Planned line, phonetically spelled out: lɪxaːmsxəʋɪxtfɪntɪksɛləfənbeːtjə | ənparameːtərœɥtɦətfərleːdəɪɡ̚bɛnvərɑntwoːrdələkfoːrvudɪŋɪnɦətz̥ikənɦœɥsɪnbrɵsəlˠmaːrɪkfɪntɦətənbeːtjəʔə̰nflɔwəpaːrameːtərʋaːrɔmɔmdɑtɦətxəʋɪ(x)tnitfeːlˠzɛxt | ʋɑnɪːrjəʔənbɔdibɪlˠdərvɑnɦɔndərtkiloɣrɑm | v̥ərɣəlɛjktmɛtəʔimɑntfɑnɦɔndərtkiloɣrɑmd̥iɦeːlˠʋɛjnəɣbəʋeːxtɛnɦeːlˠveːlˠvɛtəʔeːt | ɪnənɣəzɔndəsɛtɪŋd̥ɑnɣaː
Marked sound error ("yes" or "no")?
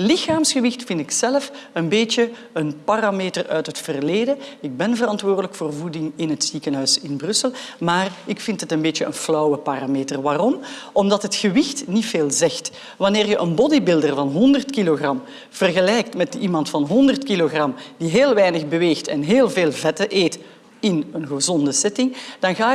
no